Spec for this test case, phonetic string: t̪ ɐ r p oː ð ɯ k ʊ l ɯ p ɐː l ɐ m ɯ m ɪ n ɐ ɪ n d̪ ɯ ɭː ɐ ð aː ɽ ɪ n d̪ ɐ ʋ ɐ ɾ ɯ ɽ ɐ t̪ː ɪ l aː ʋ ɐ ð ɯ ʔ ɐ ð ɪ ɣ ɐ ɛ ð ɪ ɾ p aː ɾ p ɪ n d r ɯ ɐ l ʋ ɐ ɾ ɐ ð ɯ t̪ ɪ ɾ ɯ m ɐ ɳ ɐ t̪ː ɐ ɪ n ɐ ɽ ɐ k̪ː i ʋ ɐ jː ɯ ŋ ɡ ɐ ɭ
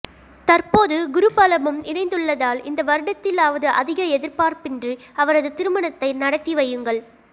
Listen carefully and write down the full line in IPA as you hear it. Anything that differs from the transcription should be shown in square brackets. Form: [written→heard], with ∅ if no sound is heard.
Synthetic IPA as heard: t̪ ɐ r p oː ð ɯ [k→ɡ] ʊ [l→ɾ] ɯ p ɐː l ɐ m ɯ m ɪ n ɐ ɪ n d̪ ɯ ɭː ɐ ð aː [ɽ→l] ɪ n d̪ ɐ ʋ ɐ ɾ ɯ ɽ ɐ t̪ː ɪ l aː ʋ ɐ ð ɯ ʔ ɐ ð ɪ ɣ ɐ ɛ ð ɪ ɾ p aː ɾ p ɪ n d r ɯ ɐ [l→∅] ʋ ɐ ɾ ɐ ð ɯ t̪ ɪ ɾ ɯ m ɐ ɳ ɐ t̪ː ɐ ɪ n ɐ ɽ ɐ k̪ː i ʋ ɐ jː ɯ ŋ ɡ ɐ ɭ

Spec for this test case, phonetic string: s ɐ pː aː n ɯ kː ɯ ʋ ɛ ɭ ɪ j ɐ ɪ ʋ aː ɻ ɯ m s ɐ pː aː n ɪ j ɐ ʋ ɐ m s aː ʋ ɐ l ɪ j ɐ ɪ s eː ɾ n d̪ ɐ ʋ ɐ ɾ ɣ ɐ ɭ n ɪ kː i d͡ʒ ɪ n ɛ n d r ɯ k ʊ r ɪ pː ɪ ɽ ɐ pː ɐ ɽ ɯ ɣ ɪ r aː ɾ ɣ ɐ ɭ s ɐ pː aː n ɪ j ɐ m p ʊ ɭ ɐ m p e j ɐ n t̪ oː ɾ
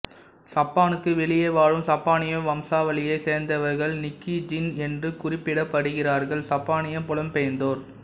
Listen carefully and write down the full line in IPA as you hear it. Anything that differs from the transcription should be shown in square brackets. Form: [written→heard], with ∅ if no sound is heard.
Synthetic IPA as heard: s ɐ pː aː n ɯ kː ɯ ʋ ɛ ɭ ɪ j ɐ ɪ ʋ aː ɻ ɯ m s ɐ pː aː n ɪ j ɐ ʋ ɐ m s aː ʋ ɐ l ɪ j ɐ ɪ s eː ɾ n d̪ ɐ ʋ ɐ ɾ ɣ ɐ ɭ n ɪ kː i d͡ʒ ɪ n ɛ n d r ɯ k ʊ r ɪ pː ɪ ɽ ɐ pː ɐ ɽ ɯ ɣ ɪ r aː ɾ ɣ ɐ ɭ s ɐ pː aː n ɪ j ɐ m p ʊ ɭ ɐ m p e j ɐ n [t̪→d̪] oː ɾ

